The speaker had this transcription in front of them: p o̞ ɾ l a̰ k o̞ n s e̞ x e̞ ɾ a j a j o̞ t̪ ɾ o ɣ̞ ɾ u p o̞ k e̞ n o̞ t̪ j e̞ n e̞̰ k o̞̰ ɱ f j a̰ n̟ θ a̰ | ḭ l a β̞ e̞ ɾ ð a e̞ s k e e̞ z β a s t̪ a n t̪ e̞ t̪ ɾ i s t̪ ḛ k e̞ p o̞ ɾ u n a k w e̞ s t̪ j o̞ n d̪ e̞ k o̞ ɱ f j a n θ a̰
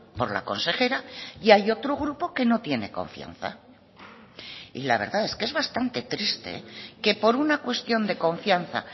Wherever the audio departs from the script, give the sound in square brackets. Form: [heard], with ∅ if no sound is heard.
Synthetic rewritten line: p o̞ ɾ l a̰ k o̞ n s e̞ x e̞ ɾ a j a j o̞ t̪ ɾ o ɣ̞ ɾ u p o̞ k e̞ n o̞ t̪ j e̞ n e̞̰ k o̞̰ ɱ f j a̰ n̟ θ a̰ | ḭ l a β̞ e̞ ɾ ð a e̞ s k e e̞ z β a s t̪ a n t̪ e̞ t̪ ɾ i s t̪ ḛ k e̞ p o̞ ɾ u n a k w e̞ s t̪ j o̞ n d̪ e̞ k o̞ ɱ f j a n θ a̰